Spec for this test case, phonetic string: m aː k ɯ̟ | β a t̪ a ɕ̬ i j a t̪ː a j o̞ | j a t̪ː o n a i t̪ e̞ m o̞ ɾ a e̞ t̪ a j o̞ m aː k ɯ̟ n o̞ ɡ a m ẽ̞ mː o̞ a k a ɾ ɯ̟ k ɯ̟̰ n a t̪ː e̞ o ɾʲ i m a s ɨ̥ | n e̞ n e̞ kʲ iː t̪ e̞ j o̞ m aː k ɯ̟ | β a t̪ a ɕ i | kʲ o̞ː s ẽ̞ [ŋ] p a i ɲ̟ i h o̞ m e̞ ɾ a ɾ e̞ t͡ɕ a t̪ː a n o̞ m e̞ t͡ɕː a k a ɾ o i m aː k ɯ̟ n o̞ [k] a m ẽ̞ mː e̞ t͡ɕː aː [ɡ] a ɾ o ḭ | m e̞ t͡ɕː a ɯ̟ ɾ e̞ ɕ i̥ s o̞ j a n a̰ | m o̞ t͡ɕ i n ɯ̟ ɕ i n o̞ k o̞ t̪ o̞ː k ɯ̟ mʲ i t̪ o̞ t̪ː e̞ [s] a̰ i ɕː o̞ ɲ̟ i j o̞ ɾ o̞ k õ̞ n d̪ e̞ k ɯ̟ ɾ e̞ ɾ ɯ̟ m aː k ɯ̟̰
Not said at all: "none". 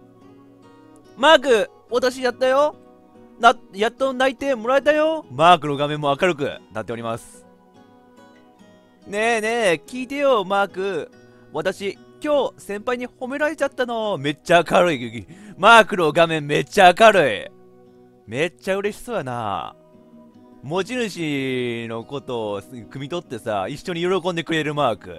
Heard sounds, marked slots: m, ɡ, k, s

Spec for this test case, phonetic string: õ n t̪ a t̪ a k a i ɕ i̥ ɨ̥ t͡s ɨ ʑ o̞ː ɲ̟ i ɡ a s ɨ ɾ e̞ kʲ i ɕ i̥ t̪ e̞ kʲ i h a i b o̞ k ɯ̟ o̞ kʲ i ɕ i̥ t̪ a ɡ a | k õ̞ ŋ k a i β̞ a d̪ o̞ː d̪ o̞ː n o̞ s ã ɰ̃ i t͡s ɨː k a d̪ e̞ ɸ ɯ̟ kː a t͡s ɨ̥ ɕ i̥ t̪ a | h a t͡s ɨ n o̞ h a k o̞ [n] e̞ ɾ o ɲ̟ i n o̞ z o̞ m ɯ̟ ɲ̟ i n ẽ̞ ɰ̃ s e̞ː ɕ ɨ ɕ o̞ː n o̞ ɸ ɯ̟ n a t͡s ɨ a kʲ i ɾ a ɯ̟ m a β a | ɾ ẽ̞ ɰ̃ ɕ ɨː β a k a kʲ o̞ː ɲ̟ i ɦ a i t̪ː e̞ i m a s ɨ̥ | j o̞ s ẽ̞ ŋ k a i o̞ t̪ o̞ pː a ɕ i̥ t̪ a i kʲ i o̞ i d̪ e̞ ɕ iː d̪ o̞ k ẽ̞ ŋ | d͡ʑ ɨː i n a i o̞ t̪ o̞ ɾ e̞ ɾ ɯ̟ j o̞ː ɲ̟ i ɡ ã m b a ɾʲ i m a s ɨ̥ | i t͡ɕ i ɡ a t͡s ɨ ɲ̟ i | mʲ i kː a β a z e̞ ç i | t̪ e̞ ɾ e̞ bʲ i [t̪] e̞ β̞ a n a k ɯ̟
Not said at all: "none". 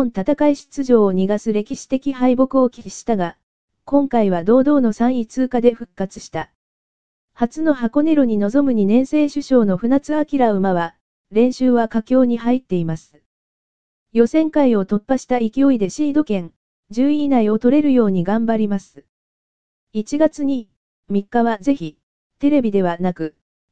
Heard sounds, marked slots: n, d̪

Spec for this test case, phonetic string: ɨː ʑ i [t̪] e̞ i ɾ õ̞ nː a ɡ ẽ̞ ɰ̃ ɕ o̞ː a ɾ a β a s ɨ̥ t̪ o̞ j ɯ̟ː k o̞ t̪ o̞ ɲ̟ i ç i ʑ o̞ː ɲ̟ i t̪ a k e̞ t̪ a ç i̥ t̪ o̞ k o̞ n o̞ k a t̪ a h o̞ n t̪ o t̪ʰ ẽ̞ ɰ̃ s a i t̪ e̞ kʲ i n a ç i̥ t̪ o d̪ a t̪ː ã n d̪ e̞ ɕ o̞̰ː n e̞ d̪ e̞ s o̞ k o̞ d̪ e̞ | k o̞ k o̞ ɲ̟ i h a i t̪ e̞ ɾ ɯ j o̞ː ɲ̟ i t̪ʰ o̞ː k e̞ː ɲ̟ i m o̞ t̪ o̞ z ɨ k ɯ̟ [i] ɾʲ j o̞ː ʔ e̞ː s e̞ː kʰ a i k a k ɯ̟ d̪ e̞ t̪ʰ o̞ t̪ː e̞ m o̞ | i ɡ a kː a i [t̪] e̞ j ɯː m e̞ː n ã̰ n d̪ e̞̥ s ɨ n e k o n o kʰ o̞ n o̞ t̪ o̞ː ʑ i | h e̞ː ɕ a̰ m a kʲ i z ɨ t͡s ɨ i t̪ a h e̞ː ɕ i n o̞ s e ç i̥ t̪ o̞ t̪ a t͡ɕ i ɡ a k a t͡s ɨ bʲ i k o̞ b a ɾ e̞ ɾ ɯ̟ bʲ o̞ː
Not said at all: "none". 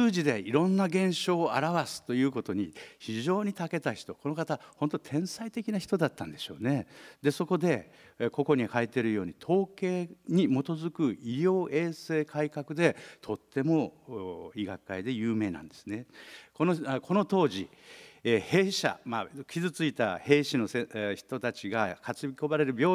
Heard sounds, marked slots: d̪, i, d̪

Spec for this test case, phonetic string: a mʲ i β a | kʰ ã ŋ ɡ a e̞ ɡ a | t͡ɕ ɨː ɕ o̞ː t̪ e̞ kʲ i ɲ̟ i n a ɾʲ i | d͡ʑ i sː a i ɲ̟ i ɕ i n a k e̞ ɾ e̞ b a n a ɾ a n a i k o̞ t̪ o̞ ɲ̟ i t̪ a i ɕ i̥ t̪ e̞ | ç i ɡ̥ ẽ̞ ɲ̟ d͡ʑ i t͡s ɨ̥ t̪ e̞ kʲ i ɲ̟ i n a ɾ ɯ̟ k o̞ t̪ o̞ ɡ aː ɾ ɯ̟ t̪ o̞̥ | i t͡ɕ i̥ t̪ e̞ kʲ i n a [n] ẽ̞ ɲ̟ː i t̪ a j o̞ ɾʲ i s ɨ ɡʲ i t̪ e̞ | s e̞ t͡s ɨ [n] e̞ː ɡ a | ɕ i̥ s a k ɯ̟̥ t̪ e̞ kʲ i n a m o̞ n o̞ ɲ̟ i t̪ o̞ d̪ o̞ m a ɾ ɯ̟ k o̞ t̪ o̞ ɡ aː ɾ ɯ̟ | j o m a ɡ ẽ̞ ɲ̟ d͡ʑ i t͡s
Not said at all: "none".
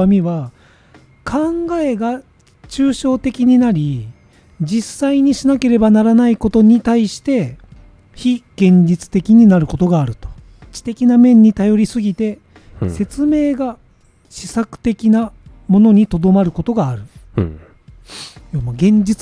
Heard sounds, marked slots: m, m

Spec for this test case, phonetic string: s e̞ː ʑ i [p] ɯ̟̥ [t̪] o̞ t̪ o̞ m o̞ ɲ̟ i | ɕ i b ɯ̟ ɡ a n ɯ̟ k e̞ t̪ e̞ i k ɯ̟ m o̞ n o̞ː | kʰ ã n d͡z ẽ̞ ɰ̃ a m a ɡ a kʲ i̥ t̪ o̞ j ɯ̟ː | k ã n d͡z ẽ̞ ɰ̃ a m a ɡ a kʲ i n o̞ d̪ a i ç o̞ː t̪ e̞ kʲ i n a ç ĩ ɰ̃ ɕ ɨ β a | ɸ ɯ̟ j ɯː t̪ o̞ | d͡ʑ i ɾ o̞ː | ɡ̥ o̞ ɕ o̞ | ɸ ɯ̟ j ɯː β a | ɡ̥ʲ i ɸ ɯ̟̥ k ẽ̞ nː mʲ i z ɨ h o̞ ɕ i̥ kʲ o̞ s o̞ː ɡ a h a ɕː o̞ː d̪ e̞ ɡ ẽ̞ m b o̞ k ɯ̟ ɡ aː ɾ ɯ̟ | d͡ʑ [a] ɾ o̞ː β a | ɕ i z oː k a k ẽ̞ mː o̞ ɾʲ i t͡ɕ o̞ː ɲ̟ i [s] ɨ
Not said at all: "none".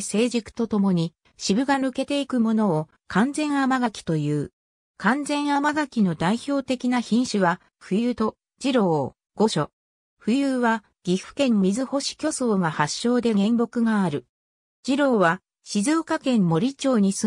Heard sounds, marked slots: k, t̪, i, s

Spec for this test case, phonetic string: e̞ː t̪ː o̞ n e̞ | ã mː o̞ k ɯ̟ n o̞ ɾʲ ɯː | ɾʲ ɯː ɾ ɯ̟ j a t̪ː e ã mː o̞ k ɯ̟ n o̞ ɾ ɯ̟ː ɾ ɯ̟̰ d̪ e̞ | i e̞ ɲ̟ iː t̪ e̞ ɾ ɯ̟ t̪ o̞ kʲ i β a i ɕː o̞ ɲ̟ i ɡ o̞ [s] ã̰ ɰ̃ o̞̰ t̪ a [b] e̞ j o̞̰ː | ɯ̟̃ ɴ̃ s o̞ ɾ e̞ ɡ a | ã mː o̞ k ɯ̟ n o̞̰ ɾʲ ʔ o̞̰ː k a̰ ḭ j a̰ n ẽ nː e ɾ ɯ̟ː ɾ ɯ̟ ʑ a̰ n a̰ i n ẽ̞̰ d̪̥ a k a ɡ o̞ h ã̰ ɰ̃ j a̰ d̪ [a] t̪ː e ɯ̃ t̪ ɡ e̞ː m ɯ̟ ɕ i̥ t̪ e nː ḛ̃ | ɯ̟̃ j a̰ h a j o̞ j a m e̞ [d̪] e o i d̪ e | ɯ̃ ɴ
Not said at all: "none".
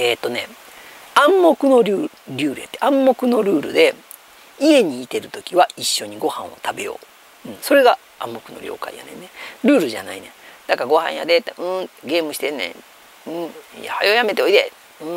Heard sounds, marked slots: h, b, e, t̪

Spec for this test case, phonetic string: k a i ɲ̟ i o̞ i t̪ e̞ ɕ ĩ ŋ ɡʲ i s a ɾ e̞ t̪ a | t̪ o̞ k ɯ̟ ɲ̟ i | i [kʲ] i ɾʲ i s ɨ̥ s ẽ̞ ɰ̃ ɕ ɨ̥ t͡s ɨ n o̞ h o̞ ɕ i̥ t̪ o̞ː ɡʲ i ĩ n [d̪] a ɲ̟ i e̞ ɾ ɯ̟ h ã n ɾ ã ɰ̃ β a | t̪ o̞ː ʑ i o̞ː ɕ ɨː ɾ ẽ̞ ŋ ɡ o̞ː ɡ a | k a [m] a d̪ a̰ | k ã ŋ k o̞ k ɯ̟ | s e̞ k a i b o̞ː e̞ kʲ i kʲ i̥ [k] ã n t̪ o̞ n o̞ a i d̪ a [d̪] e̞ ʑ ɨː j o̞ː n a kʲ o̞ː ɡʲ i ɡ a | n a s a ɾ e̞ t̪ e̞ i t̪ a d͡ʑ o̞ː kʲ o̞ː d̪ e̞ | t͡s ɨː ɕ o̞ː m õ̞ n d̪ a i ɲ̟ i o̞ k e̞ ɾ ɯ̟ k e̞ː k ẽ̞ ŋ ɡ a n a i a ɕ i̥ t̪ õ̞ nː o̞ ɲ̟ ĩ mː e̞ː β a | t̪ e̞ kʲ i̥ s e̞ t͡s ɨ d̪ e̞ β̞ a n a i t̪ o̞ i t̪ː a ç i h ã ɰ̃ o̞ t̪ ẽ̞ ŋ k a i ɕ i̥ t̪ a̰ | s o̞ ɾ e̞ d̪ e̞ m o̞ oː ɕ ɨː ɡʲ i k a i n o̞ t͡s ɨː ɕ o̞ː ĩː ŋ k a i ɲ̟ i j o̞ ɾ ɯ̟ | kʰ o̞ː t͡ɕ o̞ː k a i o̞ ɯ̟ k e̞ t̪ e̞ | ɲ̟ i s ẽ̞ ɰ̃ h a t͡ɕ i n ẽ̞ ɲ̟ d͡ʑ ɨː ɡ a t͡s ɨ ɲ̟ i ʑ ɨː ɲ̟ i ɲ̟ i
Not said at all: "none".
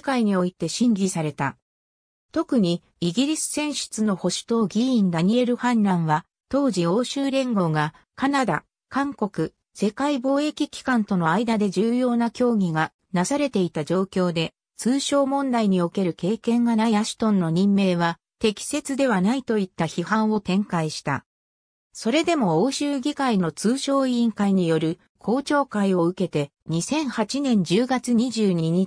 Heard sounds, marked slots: ɡʲ, d̪, n, k, d̪

